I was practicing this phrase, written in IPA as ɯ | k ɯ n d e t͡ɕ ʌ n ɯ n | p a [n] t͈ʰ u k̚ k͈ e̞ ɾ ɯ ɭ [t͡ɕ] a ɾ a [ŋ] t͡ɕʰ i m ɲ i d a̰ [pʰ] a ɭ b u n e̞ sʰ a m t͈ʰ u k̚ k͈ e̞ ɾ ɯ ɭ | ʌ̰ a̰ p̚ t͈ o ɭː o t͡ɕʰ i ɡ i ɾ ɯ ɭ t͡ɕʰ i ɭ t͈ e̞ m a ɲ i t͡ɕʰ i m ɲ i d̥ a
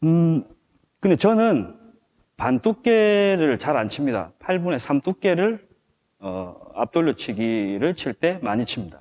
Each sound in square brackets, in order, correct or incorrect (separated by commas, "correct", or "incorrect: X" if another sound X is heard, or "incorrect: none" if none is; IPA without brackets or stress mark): correct, correct, incorrect: n, correct